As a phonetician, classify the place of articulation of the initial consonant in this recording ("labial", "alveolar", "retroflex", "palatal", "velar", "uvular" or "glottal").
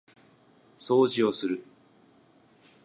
alveolar